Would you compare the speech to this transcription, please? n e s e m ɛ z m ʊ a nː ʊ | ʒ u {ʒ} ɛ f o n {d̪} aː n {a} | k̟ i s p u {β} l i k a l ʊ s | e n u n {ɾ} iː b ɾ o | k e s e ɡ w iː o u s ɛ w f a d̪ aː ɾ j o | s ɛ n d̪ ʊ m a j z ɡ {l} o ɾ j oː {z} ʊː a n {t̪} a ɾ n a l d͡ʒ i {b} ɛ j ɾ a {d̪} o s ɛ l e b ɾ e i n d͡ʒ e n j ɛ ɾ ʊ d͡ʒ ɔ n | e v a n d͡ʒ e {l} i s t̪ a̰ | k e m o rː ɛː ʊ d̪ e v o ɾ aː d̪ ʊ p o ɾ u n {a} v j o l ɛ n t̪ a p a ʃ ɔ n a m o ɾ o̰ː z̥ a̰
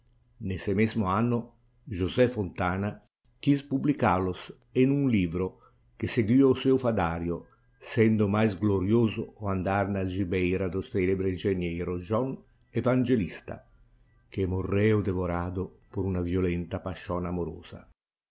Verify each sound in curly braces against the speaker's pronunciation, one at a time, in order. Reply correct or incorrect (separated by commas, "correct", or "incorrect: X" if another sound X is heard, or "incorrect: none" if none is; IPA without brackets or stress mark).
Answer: incorrect: z, incorrect: t̪, correct, incorrect: b, incorrect: l, correct, correct, incorrect: d̪, correct, correct, correct, correct